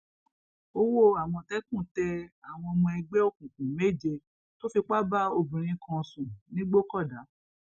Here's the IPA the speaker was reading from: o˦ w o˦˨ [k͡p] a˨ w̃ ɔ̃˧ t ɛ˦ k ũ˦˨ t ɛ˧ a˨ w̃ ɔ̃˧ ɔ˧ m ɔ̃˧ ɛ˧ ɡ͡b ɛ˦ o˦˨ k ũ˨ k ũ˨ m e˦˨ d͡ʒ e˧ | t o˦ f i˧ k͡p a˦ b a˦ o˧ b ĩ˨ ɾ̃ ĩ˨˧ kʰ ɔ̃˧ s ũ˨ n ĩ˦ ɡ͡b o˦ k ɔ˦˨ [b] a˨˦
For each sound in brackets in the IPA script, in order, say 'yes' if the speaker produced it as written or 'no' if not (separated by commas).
no, no